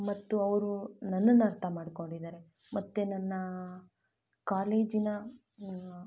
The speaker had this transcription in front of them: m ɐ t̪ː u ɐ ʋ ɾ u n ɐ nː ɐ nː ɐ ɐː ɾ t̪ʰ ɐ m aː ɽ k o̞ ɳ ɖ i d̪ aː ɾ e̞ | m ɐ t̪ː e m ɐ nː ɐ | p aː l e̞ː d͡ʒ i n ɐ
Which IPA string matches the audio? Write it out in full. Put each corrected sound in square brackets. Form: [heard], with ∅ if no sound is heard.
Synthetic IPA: m ɐ t̪ː u ɐ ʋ ɾ u n ɐ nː ɐ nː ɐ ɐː ɾ t̪ʰ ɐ m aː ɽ k o̞ ɳ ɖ i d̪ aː ɾ e̞ | m ɐ t̪ː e [n] ɐ nː ɐ | [k] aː l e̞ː d͡ʒ i n ɐ